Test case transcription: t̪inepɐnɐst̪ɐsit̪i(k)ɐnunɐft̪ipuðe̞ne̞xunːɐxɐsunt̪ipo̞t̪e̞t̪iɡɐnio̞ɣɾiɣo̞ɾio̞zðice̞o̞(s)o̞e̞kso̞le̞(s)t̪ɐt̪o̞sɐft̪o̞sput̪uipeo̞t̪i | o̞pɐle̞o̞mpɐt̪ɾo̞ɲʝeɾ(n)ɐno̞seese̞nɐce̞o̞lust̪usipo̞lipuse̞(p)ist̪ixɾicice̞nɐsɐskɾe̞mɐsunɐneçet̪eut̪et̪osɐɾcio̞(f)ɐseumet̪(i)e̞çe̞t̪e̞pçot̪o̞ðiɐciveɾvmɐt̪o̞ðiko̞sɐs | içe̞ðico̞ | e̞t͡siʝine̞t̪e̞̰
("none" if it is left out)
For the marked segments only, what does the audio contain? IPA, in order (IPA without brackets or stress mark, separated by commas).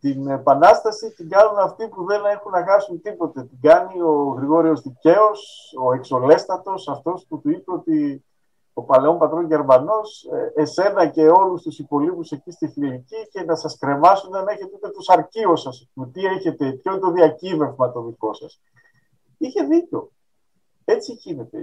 ɡ, s, s, m, c, s, i